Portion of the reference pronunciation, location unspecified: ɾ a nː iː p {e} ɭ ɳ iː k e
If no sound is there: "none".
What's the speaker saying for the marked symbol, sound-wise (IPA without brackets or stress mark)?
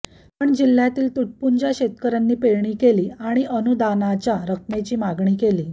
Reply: e